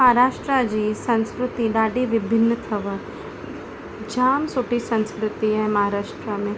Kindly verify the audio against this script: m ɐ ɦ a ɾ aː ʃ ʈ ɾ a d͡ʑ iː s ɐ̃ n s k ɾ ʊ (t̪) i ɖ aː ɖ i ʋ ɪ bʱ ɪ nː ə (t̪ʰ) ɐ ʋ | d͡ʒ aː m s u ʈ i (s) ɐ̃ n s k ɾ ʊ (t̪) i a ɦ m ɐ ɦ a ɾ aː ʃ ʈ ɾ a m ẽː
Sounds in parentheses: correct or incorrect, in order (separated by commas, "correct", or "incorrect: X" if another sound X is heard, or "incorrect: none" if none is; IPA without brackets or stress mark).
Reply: correct, correct, correct, correct